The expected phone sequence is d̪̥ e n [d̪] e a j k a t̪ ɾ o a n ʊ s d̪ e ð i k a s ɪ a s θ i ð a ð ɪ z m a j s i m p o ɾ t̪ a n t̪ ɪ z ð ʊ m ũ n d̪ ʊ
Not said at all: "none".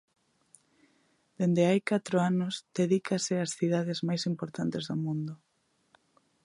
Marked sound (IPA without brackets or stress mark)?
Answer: d̪